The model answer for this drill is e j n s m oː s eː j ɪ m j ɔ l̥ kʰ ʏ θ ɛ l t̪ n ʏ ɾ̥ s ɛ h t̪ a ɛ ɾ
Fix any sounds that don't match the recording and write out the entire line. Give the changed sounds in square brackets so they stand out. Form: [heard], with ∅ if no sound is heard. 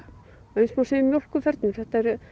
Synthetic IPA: e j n s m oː s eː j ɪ m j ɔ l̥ [k] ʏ [f] ɛ [ɾ] t̪ n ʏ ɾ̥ [θ] ɛ h t̪ a ɛ ɾ